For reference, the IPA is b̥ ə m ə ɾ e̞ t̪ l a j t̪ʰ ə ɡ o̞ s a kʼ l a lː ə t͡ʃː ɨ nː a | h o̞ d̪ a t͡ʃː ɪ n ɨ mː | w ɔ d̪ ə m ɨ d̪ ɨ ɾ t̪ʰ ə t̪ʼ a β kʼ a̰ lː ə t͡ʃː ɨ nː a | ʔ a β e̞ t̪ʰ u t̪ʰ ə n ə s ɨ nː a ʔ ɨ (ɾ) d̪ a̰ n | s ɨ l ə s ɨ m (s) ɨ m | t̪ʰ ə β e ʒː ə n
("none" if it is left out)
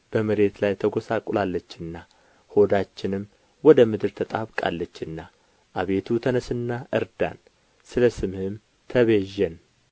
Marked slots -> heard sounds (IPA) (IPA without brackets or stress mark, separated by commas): ɾ, h